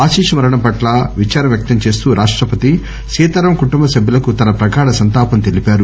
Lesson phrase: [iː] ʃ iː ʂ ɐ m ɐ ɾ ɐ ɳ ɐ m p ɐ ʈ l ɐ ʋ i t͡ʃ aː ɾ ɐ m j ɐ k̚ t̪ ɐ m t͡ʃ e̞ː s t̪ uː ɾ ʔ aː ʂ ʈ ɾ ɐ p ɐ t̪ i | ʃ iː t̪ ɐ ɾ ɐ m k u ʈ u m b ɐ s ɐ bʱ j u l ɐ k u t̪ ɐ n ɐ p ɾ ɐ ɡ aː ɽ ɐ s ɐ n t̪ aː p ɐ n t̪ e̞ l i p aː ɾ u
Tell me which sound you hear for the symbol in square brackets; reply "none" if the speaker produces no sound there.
aː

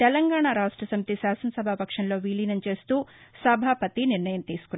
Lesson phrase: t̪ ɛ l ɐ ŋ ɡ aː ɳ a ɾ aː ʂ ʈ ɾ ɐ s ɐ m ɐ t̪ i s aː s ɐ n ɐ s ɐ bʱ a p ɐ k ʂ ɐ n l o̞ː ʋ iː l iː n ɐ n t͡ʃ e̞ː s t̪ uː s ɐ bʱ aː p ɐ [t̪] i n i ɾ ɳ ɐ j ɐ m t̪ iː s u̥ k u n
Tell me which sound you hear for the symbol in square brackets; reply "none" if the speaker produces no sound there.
t̪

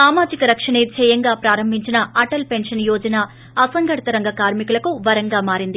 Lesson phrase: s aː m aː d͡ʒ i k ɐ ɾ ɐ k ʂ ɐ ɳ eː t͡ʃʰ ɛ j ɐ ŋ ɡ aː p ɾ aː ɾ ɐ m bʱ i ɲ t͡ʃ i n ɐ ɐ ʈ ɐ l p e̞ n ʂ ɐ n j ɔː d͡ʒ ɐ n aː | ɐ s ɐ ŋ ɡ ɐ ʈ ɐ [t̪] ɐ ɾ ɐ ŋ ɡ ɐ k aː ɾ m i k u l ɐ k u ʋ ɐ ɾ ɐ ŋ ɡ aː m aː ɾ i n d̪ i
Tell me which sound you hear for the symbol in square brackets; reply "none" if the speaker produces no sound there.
t̪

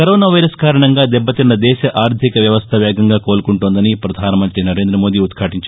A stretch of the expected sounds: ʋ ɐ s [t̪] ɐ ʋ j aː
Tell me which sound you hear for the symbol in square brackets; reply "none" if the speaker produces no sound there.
t̪ʰ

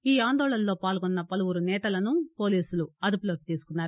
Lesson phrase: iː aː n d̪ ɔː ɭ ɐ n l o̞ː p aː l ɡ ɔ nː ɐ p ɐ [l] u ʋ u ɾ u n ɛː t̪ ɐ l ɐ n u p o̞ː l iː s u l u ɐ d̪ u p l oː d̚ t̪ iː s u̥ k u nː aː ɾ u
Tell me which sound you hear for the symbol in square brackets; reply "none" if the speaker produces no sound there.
l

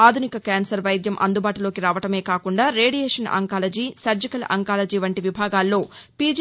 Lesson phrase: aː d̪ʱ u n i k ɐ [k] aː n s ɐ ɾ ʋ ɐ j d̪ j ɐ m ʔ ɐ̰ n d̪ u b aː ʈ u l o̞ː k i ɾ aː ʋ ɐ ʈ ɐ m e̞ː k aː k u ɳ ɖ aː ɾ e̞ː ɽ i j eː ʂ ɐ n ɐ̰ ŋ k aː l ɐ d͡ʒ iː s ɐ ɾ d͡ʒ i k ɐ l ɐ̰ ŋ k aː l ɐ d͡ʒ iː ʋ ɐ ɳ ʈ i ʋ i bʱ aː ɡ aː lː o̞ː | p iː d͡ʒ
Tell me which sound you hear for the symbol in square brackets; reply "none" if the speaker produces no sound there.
k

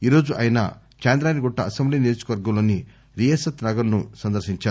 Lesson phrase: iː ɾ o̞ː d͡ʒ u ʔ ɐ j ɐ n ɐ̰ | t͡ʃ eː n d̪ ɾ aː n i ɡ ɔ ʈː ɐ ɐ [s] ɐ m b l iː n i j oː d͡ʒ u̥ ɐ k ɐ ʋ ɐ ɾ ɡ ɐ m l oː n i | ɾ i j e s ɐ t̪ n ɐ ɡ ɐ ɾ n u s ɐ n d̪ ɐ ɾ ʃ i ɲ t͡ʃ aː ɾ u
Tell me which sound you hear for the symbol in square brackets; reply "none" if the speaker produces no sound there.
s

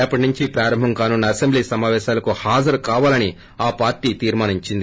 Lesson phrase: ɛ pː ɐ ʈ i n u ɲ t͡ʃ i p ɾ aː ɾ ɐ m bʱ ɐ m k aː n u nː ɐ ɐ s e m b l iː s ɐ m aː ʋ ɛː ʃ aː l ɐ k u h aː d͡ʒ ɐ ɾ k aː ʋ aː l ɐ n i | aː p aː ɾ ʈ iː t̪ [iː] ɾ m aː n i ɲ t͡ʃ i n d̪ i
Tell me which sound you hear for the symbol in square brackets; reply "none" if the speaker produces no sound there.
iː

